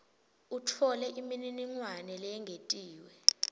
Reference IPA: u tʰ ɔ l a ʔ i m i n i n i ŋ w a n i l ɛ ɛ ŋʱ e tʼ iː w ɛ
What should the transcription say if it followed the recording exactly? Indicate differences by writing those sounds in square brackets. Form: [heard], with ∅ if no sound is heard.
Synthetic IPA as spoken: u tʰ ɔ l [ɛ] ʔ i m i n i n i ŋ w a n [ɛ] l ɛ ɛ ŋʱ e tʼ iː w ɛ